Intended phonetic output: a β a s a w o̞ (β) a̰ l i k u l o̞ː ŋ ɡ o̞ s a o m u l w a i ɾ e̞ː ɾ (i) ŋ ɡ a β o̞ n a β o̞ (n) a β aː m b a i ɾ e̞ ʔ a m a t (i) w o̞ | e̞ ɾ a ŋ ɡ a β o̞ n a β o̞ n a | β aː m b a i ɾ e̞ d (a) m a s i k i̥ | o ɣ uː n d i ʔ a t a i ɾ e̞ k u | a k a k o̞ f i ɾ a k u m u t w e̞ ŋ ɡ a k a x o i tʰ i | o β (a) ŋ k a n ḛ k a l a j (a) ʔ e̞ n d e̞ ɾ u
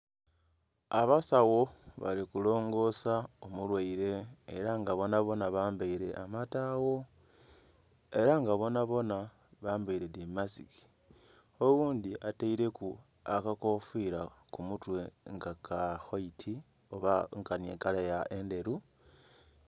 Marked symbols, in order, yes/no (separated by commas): yes, no, yes, no, no, yes, yes